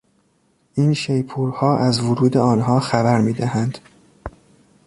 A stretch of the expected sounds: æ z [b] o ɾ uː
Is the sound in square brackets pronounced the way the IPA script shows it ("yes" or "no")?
no